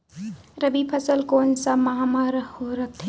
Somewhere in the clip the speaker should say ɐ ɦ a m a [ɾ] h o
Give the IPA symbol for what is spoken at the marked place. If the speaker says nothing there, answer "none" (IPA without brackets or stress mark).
ɾ